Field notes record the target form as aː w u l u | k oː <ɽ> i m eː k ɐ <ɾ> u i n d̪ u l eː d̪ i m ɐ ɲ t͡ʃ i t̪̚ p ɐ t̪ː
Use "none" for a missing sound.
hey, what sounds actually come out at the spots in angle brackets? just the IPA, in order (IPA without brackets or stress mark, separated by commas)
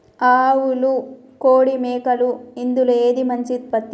ɽ, l